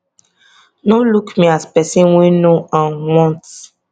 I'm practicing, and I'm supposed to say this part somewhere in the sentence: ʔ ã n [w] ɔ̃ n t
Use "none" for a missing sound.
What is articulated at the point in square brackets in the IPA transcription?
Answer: w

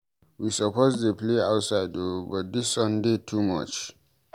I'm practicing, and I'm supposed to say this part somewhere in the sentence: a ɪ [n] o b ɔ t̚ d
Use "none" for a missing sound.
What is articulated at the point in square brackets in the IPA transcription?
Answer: d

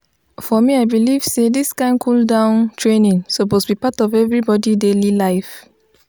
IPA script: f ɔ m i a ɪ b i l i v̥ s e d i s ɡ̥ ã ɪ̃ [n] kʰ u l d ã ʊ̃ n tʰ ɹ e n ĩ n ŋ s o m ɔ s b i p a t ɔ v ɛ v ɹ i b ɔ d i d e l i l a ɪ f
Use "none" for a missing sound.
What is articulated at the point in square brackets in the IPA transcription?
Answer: n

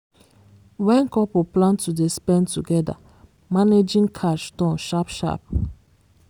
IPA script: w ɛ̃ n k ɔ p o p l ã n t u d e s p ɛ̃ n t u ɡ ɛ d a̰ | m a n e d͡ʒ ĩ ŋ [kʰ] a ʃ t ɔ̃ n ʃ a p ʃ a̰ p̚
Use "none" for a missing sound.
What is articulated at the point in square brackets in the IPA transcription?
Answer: kʰ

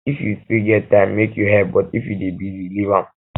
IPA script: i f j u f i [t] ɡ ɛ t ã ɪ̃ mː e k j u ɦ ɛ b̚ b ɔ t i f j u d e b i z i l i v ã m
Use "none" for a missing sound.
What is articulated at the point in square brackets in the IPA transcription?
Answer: none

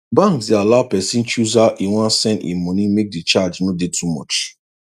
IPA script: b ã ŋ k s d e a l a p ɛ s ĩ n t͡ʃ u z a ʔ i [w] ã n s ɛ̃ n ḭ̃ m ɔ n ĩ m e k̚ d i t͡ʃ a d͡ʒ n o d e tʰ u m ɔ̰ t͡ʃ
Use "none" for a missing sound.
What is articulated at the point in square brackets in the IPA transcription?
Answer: w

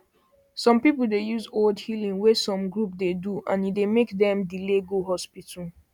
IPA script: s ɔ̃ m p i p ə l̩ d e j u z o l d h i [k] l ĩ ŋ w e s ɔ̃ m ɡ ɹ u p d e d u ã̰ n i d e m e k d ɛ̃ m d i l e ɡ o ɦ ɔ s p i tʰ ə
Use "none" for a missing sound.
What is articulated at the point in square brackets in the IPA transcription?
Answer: none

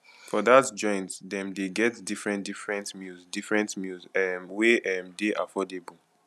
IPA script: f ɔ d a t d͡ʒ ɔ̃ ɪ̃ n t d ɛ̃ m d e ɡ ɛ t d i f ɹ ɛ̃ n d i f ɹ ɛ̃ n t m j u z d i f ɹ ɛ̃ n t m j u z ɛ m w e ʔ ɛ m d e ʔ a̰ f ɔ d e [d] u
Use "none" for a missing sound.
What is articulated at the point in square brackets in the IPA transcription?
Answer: b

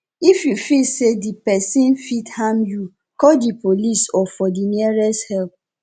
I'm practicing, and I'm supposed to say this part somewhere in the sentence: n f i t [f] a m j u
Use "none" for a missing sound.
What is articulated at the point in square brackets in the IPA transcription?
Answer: h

